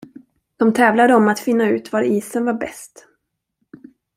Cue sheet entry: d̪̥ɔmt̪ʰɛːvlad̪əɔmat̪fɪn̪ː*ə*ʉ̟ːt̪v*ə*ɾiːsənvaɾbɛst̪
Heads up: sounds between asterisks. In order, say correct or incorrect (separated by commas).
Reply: incorrect, incorrect